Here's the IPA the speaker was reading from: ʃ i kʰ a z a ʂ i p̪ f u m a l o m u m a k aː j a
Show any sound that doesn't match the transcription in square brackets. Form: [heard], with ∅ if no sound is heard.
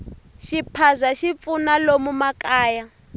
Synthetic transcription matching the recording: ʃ i [pʰ] a z a [ʃ] i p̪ f u [n] a l o m u m a k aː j a